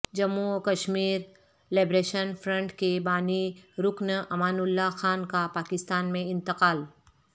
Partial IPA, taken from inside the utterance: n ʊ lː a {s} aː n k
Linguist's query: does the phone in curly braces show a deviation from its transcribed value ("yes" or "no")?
yes